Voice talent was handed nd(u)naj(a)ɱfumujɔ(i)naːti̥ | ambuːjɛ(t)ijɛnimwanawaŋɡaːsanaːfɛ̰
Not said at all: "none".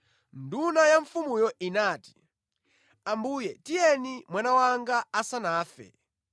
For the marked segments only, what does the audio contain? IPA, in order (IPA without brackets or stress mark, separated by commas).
u, a, i, t